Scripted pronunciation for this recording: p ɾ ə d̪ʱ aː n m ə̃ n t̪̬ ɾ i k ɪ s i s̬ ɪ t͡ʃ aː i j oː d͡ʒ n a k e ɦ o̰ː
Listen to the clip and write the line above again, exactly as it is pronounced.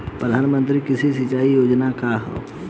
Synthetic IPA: p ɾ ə d̪ʱ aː n m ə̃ n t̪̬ ɾ i k ɪ s i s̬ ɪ t͡ʃ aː i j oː d͡ʒ n a k a ɦ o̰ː